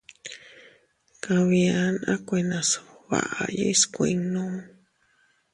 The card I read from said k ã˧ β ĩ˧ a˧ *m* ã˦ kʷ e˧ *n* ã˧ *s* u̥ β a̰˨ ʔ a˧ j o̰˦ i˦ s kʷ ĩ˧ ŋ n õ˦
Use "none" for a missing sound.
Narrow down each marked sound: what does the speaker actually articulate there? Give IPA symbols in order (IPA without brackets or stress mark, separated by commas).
n, n, s